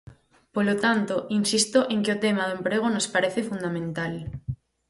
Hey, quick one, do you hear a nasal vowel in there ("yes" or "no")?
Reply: yes